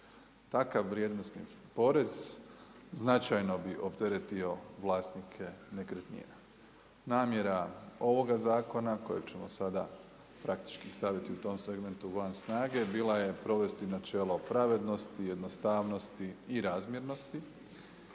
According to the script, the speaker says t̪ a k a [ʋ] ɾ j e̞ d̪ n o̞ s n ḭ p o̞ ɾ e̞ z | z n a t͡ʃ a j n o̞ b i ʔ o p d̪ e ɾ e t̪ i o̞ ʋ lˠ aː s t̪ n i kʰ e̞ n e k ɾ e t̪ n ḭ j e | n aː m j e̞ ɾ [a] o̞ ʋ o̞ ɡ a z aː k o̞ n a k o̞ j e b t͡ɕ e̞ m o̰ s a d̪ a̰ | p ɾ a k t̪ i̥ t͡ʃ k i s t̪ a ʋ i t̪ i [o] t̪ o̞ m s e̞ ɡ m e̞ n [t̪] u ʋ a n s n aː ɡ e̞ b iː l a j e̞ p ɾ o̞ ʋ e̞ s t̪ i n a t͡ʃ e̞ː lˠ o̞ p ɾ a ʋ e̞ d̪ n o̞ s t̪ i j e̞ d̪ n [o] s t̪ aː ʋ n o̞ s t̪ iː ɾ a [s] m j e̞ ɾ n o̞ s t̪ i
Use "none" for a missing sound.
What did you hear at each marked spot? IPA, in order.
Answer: ʋː, a, u, t̪, o, z

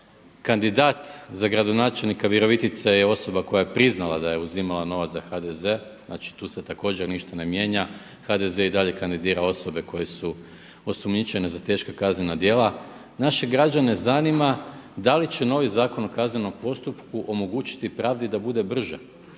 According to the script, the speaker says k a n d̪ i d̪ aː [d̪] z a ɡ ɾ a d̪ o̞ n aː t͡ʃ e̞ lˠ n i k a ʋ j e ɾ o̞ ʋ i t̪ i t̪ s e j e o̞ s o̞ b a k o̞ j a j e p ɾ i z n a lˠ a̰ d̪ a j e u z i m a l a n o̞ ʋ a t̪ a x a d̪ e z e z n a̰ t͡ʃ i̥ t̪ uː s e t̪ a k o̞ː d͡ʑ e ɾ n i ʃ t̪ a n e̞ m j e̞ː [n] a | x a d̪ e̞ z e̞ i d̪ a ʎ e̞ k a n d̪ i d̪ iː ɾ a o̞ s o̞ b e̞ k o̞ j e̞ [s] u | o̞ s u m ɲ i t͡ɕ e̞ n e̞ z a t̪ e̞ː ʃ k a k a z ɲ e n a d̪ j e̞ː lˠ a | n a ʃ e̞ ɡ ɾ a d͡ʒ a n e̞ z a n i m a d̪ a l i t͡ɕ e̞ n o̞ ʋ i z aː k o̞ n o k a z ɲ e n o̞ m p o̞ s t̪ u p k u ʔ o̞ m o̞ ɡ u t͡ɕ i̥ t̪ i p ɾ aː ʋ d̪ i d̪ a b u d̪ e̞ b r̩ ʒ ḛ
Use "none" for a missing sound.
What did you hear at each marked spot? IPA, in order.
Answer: t̪, ɲ, s

